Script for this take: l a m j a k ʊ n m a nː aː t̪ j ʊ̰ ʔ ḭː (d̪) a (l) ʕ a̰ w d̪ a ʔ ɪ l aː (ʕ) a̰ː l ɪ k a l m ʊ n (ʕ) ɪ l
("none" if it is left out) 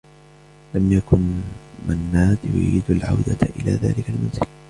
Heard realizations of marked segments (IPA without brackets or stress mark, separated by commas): d̪, l, ð, z